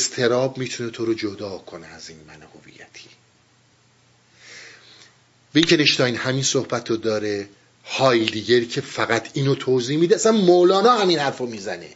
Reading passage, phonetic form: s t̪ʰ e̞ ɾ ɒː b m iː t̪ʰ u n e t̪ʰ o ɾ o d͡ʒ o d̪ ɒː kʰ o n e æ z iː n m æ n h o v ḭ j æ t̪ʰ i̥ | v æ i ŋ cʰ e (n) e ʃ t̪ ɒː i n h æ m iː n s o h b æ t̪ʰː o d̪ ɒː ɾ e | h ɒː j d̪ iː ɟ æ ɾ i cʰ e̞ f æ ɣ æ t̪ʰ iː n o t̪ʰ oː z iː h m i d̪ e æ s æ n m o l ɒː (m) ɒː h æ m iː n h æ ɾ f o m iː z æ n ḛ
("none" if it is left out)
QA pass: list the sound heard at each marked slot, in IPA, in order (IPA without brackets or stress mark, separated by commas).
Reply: n, n